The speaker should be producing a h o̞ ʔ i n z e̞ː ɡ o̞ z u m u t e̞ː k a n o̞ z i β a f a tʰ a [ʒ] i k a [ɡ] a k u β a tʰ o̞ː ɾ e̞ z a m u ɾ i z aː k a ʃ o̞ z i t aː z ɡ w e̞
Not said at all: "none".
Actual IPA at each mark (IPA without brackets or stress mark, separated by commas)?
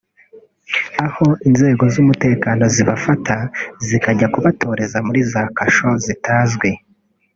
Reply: z, ɟ